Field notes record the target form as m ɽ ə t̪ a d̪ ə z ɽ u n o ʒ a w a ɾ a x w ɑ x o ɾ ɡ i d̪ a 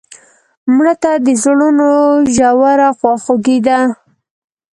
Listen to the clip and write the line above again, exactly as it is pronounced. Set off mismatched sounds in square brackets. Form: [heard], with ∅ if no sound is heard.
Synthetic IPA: m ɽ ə t̪ a d̪ ə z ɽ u n o ʒ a w a ɾ a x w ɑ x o [∅] ɡ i d̪ a